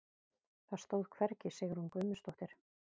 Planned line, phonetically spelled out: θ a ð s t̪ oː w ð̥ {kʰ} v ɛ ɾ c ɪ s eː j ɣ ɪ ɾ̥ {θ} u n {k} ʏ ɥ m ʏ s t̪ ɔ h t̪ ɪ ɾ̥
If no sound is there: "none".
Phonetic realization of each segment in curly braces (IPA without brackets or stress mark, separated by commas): kʰ, h, k